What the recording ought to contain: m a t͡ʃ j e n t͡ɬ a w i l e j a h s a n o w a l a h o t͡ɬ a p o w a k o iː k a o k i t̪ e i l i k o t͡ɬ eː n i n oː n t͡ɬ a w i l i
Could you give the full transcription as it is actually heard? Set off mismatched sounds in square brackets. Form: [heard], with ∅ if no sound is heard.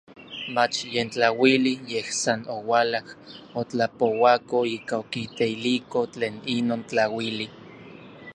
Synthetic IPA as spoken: m a t͡ʃ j e n t͡ɬ a w i l [i] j [e] h s a n o w a l a h o t͡ɬ a p o w a k o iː k a o k i t̪ e i l i k o t͡ɬ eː n i n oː n t͡ɬ a w i l i